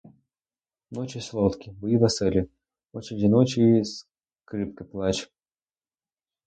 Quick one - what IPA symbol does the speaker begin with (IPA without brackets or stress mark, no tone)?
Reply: n